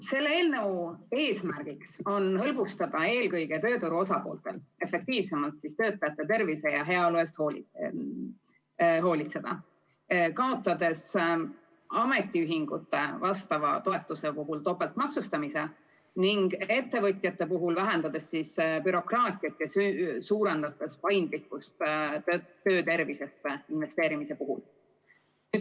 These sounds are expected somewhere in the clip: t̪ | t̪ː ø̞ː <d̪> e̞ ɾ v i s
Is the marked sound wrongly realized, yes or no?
yes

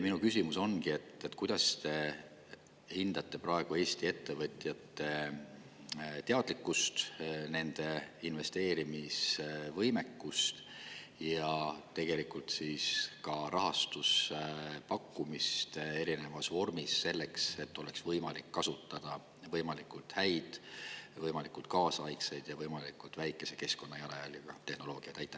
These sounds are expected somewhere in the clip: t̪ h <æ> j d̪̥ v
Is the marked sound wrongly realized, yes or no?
no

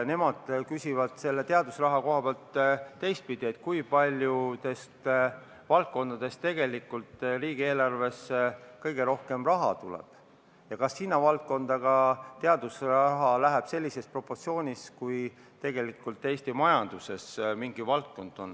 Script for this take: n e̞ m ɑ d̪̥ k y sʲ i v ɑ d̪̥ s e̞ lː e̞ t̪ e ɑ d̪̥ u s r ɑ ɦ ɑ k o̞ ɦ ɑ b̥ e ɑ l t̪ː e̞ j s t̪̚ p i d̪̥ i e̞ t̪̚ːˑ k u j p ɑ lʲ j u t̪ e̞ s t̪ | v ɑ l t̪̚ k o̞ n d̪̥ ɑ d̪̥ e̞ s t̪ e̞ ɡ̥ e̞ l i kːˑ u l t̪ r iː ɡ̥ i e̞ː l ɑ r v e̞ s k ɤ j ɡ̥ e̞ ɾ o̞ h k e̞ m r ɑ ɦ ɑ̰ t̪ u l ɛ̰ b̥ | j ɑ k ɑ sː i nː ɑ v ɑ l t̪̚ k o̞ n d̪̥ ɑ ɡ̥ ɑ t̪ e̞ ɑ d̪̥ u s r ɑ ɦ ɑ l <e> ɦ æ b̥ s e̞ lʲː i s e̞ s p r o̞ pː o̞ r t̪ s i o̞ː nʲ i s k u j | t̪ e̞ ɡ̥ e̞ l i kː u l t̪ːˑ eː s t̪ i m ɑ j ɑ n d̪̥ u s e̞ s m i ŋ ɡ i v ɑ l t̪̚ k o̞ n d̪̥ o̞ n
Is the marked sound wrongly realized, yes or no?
yes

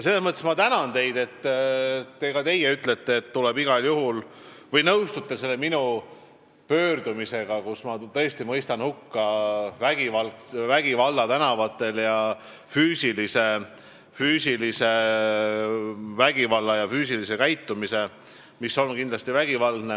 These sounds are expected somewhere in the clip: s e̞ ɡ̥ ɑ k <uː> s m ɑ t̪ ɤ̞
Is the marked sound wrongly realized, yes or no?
yes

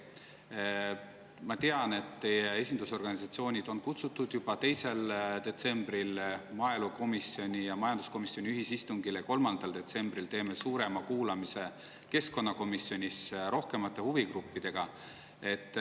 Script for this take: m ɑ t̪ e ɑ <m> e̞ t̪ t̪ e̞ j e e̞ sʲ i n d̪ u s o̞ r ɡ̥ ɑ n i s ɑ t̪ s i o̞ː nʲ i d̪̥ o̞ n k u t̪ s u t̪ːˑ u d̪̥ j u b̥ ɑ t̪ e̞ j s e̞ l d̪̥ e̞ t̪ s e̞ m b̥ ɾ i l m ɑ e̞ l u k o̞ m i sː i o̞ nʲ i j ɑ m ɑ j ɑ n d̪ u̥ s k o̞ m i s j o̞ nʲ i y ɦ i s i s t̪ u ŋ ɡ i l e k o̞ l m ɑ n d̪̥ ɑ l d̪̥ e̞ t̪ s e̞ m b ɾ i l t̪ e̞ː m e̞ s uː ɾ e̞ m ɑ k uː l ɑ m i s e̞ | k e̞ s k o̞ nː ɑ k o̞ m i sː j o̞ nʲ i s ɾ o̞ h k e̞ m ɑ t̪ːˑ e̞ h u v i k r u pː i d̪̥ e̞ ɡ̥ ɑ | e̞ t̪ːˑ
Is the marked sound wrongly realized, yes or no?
yes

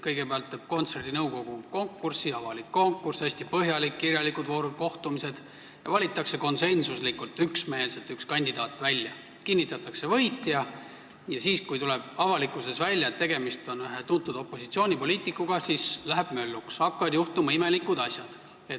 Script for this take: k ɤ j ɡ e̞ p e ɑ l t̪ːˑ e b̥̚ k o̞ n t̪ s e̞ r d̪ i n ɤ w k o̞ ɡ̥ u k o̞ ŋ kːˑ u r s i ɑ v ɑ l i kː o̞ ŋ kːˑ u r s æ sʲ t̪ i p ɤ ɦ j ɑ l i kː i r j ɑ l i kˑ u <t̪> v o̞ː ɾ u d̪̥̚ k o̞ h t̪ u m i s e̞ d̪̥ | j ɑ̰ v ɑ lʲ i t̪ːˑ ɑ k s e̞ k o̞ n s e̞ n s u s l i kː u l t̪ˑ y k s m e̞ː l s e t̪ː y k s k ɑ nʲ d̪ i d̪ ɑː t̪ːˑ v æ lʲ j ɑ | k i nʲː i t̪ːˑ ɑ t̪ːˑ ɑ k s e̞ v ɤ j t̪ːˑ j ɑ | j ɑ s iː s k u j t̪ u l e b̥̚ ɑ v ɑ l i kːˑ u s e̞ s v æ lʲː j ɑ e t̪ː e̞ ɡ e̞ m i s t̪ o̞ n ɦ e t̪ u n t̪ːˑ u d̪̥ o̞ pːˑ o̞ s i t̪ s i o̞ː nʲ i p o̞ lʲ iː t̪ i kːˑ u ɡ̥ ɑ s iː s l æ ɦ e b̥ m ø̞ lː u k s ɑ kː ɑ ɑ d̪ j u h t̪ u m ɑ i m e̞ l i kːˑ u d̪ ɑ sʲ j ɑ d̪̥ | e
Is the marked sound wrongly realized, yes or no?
yes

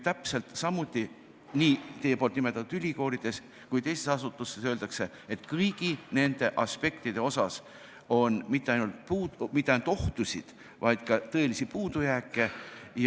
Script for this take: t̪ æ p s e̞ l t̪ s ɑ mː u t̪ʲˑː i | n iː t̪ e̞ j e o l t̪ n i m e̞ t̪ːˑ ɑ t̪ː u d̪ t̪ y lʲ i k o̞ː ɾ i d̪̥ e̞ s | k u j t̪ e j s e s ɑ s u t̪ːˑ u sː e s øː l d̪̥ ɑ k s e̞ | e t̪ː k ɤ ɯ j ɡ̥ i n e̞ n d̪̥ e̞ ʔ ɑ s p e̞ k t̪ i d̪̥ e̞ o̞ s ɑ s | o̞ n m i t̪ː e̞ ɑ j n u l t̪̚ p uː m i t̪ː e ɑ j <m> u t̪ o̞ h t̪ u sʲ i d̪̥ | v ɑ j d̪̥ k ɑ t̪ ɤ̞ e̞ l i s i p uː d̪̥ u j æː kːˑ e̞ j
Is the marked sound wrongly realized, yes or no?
yes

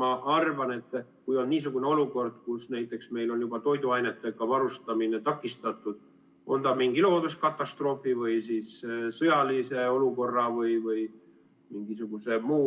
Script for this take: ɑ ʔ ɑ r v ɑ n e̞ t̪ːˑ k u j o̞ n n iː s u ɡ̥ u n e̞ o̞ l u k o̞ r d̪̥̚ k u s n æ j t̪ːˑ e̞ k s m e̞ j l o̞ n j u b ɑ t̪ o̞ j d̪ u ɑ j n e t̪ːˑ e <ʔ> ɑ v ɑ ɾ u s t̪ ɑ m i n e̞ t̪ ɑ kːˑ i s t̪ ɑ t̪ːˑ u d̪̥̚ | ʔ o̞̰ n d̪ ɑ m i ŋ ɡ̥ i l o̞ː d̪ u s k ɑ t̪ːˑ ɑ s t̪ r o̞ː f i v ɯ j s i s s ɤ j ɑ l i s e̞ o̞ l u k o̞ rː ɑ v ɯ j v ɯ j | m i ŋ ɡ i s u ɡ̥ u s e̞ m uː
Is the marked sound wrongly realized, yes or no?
yes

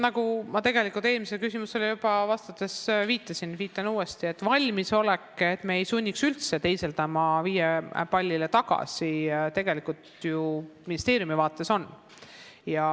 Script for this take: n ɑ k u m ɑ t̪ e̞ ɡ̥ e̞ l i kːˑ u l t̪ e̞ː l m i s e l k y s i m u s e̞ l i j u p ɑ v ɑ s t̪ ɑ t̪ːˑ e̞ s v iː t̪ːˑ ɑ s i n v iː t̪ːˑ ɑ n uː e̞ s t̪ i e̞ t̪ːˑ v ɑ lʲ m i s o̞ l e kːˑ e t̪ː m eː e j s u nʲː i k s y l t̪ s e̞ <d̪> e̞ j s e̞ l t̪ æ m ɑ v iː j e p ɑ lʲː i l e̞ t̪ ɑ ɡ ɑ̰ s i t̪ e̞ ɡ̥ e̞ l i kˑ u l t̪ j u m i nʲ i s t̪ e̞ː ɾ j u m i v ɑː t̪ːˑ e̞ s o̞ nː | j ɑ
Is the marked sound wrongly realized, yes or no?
yes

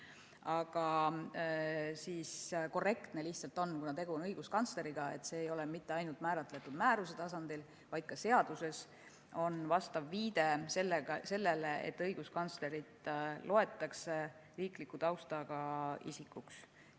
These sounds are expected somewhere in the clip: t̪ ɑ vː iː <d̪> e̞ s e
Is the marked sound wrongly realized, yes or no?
no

